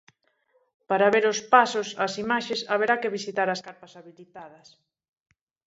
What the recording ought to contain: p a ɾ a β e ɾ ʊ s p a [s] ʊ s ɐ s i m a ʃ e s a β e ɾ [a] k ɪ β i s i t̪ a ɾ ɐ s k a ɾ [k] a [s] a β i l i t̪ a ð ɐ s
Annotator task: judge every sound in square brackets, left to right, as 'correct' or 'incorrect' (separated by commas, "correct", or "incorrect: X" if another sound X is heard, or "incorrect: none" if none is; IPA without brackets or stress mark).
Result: correct, correct, incorrect: p, correct